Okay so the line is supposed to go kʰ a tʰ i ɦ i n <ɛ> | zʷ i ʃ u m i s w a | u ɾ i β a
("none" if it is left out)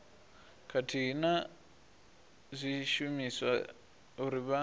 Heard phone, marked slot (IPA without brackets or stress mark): a